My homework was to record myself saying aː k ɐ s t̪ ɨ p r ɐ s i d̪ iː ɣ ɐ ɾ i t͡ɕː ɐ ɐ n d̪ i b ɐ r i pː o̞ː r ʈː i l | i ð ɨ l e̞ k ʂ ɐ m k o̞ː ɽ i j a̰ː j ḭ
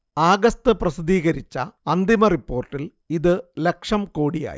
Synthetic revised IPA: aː ɡ ɐ s t̪ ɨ p r ɐ s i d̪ iː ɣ ɐ ɾ i t͡ɕː ɐ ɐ n d̪ i m ɐ r i pː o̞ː r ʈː i l | i ð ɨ l e̞ k ʂ ɐ m k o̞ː ɽ i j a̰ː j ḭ